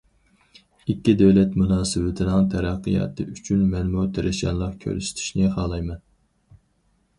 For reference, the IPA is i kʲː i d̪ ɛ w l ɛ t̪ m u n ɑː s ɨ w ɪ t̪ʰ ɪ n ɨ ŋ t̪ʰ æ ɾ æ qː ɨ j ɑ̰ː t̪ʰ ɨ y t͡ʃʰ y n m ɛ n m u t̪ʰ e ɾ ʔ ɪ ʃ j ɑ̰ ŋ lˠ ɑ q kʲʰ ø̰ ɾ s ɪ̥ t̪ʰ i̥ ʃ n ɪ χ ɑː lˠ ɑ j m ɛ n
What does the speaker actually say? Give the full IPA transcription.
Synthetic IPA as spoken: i kʲː i d̪ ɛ w l ɛ t̪ m u n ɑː s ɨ w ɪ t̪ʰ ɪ n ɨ ŋ t̪ʰ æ ɾ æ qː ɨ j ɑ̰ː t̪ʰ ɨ y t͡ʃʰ y n m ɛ n m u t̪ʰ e ɾ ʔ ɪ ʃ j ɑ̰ n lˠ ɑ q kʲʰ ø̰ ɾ s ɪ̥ t̪ʰ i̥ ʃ n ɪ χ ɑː lˠ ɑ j m ɛ n